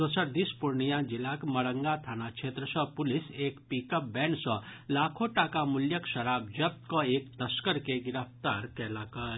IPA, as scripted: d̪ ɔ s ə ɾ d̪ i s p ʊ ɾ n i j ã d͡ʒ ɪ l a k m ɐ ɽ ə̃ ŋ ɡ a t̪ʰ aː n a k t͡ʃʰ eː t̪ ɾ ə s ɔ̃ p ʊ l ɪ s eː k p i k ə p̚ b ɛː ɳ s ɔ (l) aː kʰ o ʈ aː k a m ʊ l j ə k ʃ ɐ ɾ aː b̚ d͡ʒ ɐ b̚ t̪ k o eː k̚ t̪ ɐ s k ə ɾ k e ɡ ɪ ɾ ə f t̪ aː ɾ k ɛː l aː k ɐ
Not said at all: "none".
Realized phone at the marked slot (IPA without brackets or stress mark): l